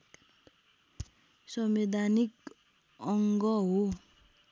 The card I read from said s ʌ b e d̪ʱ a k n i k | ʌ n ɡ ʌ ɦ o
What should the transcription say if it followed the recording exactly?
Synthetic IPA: s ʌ m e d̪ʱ a n i k | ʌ ŋ ɡ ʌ ɦ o